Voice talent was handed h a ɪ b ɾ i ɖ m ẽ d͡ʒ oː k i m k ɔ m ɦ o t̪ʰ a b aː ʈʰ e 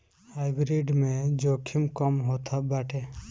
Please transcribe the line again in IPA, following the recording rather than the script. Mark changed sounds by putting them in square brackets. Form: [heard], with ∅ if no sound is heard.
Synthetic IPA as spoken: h a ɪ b ɾ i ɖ m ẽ d͡ʒ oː [kʰ] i m k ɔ m ɦ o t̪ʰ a b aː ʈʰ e